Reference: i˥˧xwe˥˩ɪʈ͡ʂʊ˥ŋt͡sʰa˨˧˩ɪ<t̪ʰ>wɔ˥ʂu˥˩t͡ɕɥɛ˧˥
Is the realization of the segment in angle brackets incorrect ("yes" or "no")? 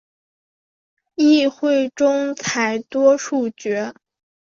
yes